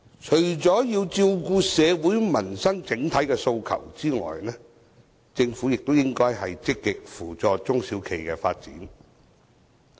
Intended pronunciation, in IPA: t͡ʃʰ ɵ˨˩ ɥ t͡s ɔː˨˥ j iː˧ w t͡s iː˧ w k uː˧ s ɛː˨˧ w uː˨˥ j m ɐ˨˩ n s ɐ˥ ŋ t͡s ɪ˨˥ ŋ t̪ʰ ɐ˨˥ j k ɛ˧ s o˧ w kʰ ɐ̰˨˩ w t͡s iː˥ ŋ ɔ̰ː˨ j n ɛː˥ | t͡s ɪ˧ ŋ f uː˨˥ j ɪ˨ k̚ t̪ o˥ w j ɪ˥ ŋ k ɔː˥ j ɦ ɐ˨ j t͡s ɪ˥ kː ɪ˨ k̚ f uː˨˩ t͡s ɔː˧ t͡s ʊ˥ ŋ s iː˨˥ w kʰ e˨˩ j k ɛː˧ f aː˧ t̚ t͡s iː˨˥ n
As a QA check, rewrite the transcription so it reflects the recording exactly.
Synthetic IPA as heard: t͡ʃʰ ɵ˨˩ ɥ t͡s ɔː˨˥ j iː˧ w t͡s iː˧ w k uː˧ s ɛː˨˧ w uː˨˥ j m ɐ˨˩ n s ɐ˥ ŋ t͡s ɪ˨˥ ŋ t̪ʰ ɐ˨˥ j k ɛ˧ s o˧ w kʰ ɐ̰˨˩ w t͡s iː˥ ŋ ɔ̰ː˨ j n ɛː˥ | t͡s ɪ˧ ŋ f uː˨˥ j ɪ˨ k̚ t̪ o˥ w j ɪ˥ ŋ k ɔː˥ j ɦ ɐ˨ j t͡s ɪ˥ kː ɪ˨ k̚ f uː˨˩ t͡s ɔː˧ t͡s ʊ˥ ŋ s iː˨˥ w kʰ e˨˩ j k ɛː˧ f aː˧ t̚ t͡s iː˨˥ n